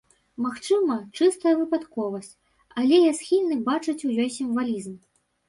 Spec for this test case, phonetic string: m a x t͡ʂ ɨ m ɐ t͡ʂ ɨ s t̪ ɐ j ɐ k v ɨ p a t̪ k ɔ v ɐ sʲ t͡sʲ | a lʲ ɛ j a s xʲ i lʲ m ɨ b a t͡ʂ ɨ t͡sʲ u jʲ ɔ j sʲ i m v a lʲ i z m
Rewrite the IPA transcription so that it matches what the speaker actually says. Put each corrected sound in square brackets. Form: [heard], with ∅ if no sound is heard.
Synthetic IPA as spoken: m a x t͡ʂ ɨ m ɐ t͡ʂ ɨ s t̪ ɐ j ɐ [∅] v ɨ p a t̪ k ɔ v ɐ sʲ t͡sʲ | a lʲ ɛ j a s xʲ i lʲ [n] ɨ b a t͡ʂ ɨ t͡sʲ u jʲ ɔ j sʲ i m v a lʲ i z m